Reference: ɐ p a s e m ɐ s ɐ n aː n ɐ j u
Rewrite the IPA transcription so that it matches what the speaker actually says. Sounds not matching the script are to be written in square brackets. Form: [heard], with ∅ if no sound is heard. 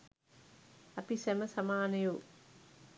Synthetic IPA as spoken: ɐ p [i] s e m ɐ s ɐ [m] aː n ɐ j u